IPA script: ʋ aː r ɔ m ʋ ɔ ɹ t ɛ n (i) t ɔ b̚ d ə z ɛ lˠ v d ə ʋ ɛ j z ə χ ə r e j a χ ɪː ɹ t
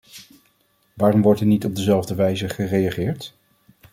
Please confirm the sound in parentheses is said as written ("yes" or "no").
yes